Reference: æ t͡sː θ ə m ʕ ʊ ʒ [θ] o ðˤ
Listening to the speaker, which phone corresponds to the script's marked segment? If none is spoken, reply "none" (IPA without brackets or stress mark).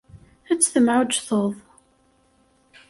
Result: θ